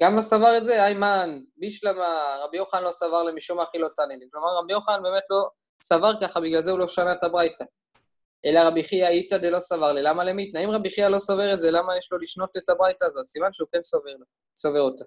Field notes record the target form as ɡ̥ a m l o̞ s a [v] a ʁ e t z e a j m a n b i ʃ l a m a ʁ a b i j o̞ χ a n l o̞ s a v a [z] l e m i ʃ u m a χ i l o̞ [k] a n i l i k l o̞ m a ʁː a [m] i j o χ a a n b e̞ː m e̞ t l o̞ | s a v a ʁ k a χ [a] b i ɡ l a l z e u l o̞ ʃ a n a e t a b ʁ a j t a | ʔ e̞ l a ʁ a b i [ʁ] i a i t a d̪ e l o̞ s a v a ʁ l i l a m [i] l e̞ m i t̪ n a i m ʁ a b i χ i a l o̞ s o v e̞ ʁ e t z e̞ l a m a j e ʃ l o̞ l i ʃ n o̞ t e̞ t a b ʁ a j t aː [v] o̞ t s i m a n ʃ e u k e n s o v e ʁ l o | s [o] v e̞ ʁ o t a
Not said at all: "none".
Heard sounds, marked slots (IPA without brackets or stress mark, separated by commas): v, ʁ, t, b, a, χ, a, z, o